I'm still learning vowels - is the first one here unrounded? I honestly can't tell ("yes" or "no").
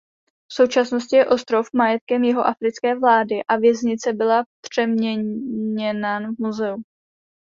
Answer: no